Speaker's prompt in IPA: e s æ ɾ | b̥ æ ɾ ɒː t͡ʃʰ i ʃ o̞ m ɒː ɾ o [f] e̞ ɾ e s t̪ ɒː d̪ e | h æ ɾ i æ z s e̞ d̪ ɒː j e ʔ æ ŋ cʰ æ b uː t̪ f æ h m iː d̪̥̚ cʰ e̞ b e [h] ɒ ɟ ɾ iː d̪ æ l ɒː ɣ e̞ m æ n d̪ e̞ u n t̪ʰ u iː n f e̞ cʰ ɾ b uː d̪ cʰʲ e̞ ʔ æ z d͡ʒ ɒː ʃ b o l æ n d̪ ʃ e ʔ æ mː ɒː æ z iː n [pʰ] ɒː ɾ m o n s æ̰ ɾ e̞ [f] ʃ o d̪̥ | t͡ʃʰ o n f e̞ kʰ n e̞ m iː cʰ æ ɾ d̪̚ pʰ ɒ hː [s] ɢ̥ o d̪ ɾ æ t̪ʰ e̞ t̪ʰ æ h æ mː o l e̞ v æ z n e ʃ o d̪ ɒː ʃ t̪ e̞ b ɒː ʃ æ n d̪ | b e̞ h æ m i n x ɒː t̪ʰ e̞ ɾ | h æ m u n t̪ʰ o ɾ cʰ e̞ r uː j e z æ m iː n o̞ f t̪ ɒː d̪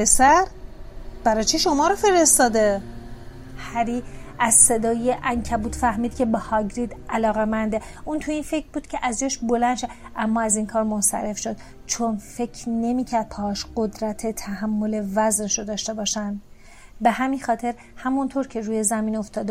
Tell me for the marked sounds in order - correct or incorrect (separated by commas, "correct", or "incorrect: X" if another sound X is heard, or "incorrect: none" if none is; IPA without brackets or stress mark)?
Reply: correct, correct, incorrect: kʰ, correct, incorrect: ʃ